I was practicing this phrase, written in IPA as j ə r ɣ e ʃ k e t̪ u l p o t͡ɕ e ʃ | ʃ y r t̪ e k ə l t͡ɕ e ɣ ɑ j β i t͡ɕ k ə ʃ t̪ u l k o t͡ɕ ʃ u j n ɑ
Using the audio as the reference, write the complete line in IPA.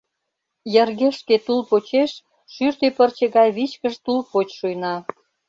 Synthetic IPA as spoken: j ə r ɣ e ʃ k e t̪ u l p o t͡ɕ e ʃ | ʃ y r t̪ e p ə r t͡ɕ e ɣ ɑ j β i t͡ɕ k ə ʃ t̪ u l p o t͡ɕ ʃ u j n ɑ

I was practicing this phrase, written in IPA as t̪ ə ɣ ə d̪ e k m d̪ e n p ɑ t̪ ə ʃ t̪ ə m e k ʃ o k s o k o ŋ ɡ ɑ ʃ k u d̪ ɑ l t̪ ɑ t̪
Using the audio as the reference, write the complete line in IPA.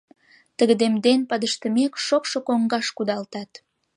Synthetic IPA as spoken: t̪ ə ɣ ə d̪ e m d̪ e n p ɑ d̪ ə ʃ t̪ ə m e k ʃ o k ʃ o k o ŋ ɡ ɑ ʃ k u d̪ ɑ l t̪ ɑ t̪

